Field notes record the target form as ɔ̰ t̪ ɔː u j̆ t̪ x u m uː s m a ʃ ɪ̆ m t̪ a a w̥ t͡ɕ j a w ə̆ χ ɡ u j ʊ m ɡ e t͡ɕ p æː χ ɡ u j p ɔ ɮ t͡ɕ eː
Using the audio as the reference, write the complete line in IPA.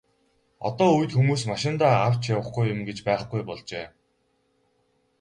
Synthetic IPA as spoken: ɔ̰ t̪ ɔː u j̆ t̪ x u m uː s m a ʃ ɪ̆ n t̪ a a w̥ t͡ɕ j a w ə̆ χ ɡ u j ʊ m ɡ e t͡ɕ p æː χ ɡ u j p ɔ ɮ t͡ɕ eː